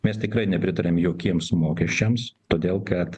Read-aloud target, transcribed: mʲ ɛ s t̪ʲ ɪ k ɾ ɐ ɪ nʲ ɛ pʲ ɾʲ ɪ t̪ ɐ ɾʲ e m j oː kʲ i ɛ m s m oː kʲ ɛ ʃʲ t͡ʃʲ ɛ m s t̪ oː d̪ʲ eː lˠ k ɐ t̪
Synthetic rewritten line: mʲ ɛ s t̪ʲ ɪ k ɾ ɐ ɪ nʲ ɛ pʲ ɾʲ ɪ t̪ ɐ ɾʲ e m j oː kʲ i ɛ m s m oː kʲ ɛ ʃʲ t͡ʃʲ ɛ m s t̪ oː d̪ʲ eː lˠ k ɐ t̪

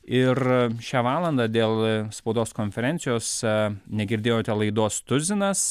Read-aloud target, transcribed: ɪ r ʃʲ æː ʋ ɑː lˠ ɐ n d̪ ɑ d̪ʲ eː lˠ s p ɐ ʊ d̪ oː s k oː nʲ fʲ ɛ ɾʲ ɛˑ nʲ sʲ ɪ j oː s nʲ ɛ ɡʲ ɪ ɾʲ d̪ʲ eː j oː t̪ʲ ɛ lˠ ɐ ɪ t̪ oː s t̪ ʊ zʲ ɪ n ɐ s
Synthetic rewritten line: ɪ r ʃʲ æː ʋ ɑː lˠ ɐ n d̪ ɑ d̪ʲ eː lˠ s p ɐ ʊ d̪ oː s k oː nʲ fʲ ɛ ɾʲ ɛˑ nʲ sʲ ɪ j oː s nʲ ɛ ɡʲ ɪ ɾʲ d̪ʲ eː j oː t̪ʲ ɛ lˠ ɐ ɪ d̪ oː s t̪ ʊ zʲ ɪ n ɐ s

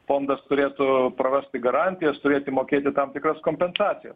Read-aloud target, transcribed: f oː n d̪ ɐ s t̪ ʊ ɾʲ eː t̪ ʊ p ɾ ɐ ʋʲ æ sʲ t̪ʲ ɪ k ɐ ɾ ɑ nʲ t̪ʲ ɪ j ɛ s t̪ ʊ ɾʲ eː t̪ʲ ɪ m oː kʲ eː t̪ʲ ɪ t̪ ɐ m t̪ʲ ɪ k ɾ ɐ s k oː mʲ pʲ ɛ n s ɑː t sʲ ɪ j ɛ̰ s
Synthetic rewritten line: f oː n d̪ ɐ s t̪ ʊ ɾʲ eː t̪ ʊ p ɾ ɐ ʋʲ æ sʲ t̪ʲ ɪ ɡ ɐ ɾ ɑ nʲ t̪ʲ ɪ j ɛ s t̪ ʊ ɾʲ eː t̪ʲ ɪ m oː kʲ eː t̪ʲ ɪ t̪ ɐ m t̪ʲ ɪ k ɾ ɐ s k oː mʲ pʲ ɛ n s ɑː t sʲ ɪ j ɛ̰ s

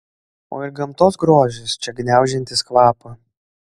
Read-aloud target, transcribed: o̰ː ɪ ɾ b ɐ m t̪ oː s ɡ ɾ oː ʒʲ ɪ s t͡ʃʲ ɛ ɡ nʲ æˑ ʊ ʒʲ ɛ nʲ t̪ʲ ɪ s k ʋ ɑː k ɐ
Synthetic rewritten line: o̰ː ɪ ɾ ɡ ɐ m t̪ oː s ɡ ɾ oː ʒʲ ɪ s t͡ʃʲ ɛ ɡ nʲ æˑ ʊ ʒʲ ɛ nʲ t̪ʲ ɪ s k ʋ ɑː p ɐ

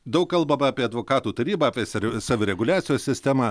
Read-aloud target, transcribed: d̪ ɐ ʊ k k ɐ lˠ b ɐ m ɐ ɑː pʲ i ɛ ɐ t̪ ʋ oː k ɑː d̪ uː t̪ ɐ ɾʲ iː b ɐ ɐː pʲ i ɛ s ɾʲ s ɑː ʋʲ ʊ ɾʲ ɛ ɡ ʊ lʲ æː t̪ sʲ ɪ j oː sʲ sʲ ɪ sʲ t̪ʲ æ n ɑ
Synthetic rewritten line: d̪ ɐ ʊ k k ɐ lˠ b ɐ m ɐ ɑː pʲ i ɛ ɐ d̪ ʋ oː k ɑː t̪ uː t̪ ɐ ɾʲ iː b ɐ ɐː pʲ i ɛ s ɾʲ s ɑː ʋʲ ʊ ɾʲ ɛ ɡ ʊ lʲ æː t̪ sʲ ɪ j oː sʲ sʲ ɪ sʲ t̪ʲ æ m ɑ

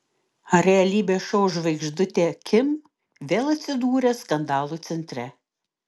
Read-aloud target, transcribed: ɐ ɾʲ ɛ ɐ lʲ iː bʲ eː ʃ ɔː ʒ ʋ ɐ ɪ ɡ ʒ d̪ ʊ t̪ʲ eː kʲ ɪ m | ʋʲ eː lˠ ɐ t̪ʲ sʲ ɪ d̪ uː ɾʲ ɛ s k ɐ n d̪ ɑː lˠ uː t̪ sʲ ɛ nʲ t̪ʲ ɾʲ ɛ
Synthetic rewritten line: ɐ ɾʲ ɛ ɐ lʲ iː bʲ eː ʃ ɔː ʒ ʋ ɐ ɪ ɡ ʒ d̪ ʊ t̪ʲ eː kʲ ɪ m | ʋʲ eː lˠ ɐ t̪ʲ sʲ ɪ d̪ uː ɾʲ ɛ s k ɐ n d̪ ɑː lˠ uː t̪ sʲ ɛ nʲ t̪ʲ ɾʲ ɛ

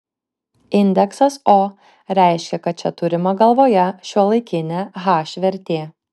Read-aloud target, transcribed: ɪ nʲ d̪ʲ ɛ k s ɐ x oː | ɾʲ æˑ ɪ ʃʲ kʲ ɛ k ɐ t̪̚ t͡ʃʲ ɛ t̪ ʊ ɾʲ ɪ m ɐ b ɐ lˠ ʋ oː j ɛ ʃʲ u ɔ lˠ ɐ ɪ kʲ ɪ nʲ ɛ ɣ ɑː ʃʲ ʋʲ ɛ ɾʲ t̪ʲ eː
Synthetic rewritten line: ɪ nʲ d̪ʲ ɛ k s ɐ s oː | ɾʲ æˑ ɪ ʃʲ kʲ ɛ k ɐ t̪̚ t͡ʃʲ ɛ t̪ ʊ ɾʲ ɪ m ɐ ɡ ɐ lˠ ʋ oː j ɛ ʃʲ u ɔ lˠ ɐ ɪ kʲ ɪ nʲ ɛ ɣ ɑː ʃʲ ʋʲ ɛ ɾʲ t̪ʲ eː

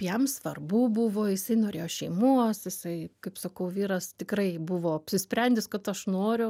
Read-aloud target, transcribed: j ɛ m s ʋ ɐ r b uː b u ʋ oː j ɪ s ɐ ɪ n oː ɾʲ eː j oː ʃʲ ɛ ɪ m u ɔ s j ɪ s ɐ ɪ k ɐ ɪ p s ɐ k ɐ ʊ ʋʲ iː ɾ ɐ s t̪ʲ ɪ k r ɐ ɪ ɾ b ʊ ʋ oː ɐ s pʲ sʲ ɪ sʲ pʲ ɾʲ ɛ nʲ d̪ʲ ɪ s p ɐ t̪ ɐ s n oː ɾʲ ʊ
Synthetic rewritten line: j ɛ m s ʋ ɐ r b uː b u ʋ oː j ɪ s ɐ ɪ n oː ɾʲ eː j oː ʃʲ ɛ ɪ m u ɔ s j ɪ s ɐ ɪ k ɐ ɪ p s ɐ k ɐ ʊ ʋʲ iː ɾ ɐ s t̪ʲ ɪ k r ɐ ɪ b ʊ ʋ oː ɐ pʲ sʲ ɪ sʲ pʲ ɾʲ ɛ nʲ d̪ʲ ɪ s k ɐ t̪ ɐ ʃ n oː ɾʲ ʊ

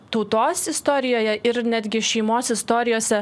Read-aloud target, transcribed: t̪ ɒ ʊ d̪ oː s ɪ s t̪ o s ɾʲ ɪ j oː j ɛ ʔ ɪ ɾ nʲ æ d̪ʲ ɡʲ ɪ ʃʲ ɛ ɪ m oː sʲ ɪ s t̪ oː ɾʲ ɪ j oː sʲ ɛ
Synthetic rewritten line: t̪ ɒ ʊ t̪ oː s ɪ s t̪ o ɾʲ ɪ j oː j ɛ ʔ ɪ ɾ nʲ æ d̪ʲ ɡʲ ɪ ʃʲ ɛ ɪ m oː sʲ ɪ s t̪ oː ɾʲ ɪ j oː sʲ ɛ

